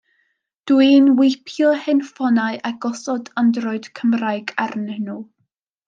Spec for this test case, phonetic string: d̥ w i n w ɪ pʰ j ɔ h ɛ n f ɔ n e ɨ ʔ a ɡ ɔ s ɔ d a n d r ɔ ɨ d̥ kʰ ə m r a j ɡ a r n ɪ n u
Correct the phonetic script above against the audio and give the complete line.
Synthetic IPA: d̥ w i n w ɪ pʰ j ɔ h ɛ n f ɔ n a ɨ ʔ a ɡ ɔ s ɔ d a n d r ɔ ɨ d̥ kʰ ə m r a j ɡ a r n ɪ n u